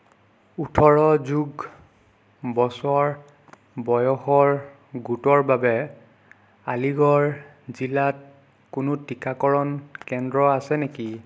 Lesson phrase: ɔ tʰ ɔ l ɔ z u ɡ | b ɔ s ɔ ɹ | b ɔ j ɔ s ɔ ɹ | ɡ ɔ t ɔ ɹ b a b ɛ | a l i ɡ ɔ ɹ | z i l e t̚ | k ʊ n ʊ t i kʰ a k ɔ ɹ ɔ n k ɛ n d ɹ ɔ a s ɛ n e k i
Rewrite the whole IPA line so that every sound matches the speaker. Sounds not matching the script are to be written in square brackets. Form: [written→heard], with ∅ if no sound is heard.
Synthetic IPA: [ɔ→u] tʰ ɔ [l→ɹ] ɔ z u ɡ | b ɔ s ɔ ɹ | b ɔ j ɔ [s→x] ɔ ɹ | ɡ [ɔ→u] t ɔ ɹ b a b ɛ | a l i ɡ ɔ ɹ | z i l [e→a] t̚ | k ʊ n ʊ t i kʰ a k ɔ ɹ ɔ n k ɛ n d ɹ ɔ a s ɛ n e k i